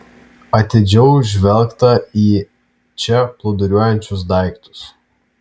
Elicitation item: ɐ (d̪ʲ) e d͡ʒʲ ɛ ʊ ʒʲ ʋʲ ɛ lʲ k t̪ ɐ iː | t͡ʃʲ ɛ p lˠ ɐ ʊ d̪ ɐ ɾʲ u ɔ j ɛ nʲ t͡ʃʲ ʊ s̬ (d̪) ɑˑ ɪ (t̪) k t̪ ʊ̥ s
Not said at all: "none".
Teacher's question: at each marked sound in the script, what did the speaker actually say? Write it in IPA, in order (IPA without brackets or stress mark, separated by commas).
t̪ʲ, d̪, none